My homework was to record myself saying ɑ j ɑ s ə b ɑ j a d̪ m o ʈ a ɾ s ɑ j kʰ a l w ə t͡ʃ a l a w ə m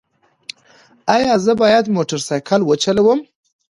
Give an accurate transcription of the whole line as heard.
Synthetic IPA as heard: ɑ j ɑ z ə b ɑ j a d̪ m o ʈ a ɾ s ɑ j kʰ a l w ə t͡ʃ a l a w ə m